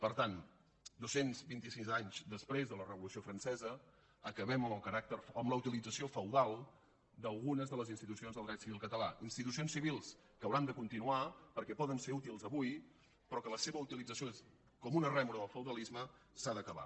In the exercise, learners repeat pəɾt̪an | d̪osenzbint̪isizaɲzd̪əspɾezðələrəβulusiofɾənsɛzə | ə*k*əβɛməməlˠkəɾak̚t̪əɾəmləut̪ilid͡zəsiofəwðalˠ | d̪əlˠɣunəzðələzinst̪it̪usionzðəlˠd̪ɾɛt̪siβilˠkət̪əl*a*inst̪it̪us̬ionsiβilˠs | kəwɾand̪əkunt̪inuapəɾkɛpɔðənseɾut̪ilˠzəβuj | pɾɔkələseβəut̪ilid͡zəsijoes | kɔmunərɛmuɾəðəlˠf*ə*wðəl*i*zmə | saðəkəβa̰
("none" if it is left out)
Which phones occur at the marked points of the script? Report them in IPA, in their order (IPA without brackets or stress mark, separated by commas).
k, a, ə, i